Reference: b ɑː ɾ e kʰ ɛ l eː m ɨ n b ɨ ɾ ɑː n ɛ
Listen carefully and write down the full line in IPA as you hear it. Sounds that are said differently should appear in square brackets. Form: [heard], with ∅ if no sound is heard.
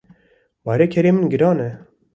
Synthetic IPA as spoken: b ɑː ɾ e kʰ ɛ [ɾ] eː m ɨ n [ɡ] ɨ ɾ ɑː n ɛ